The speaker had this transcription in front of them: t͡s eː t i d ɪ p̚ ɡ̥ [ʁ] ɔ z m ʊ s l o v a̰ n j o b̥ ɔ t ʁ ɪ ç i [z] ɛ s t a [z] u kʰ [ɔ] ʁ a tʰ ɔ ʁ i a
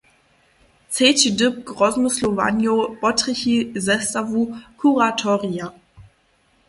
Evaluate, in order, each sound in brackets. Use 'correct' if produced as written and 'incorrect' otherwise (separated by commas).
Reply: correct, correct, incorrect, incorrect